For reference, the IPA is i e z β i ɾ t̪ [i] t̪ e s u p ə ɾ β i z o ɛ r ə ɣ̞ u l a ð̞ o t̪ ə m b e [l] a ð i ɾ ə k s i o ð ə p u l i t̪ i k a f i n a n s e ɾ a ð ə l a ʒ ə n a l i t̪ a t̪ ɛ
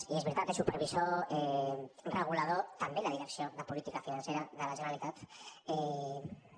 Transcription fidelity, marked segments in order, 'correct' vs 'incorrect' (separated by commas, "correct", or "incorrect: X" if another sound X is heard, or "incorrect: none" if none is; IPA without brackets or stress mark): incorrect: a, correct